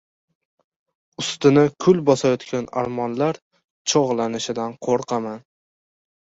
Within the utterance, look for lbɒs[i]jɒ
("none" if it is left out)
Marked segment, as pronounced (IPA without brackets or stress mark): a